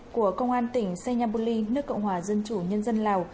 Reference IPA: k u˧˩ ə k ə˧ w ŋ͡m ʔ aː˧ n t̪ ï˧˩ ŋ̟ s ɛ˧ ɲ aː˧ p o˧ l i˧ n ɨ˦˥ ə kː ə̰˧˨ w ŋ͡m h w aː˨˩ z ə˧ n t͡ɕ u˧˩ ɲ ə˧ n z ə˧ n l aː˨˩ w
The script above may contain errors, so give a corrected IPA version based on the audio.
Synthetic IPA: k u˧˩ ə k ə˧ w ŋ͡m ʔ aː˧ n t̪ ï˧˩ ŋ̟ s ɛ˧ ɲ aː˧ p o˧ l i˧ n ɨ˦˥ ə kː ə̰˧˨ w ŋ͡m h w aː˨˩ z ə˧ n t͡ɕ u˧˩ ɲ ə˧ n z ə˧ n l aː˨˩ w